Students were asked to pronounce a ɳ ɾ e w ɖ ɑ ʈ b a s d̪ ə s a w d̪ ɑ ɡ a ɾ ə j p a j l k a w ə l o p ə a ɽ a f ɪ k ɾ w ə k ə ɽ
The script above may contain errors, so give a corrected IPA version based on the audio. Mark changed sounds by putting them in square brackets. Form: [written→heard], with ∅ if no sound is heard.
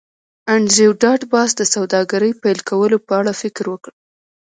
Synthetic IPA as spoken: a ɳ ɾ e w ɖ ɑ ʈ b [a→ɑ] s d̪ ə s a w d̪ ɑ ɡ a ɾ ə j p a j l k a w ə l o p ə a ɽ a f ɪ k ɾ w ə k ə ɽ